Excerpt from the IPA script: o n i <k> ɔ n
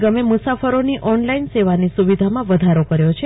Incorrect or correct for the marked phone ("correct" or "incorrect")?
incorrect